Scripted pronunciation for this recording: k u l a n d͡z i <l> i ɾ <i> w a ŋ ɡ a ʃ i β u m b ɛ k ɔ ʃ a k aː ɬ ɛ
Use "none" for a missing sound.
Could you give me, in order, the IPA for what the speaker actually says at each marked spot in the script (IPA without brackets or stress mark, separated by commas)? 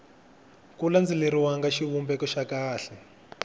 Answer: l, i